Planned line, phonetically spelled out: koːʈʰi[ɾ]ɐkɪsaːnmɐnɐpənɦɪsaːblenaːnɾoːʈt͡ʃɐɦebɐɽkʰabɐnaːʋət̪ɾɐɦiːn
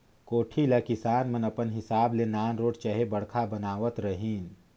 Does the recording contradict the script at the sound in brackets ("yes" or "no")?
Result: yes